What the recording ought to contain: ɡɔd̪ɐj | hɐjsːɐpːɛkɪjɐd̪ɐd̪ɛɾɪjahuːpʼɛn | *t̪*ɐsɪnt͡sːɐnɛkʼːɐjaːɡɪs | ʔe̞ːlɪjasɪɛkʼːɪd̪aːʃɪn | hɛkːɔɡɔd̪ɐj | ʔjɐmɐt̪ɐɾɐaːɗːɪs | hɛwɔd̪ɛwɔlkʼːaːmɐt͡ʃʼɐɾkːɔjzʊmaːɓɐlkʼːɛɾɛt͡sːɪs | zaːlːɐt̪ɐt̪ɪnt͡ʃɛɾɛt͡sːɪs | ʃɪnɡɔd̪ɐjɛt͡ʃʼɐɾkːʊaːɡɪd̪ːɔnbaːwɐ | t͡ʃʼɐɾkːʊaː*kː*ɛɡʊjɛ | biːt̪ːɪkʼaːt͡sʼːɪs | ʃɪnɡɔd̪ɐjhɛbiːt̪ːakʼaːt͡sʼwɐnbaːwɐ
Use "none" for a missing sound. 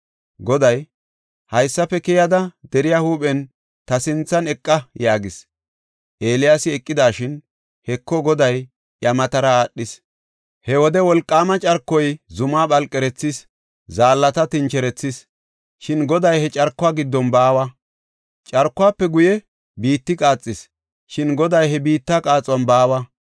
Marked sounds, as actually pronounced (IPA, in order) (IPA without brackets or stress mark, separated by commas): t̪, pː